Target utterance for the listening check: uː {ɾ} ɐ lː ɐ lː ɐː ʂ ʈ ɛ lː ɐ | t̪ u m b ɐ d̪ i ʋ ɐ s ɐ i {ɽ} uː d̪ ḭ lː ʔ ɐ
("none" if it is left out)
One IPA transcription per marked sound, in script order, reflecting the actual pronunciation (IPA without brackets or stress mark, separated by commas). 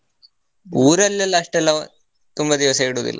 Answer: ɾ, ɽ